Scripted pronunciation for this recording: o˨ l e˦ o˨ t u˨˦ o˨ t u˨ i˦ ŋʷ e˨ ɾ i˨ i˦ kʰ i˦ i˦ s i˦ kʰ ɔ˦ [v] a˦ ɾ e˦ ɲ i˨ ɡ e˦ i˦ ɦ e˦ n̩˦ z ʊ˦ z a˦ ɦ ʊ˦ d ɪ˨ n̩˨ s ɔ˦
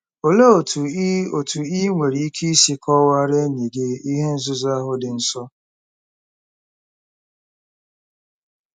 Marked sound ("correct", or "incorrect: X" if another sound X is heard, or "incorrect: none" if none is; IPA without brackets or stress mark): incorrect: w